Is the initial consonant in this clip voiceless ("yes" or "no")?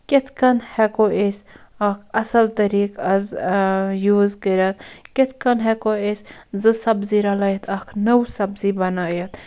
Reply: yes